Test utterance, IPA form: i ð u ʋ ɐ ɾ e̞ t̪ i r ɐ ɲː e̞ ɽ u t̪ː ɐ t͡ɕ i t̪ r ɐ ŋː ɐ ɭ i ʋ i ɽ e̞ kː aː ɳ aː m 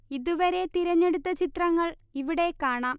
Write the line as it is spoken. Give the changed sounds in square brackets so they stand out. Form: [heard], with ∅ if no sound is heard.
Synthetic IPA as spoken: i ð u ʋ ɐ ɾ e̞ t̪ i [ɾ] ɐ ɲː e̞ ɽ u t̪ː ɐ t͡ɕ i t̪ r ɐ ŋː ɐ ɭ i ʋ i ɽ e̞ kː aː ɳ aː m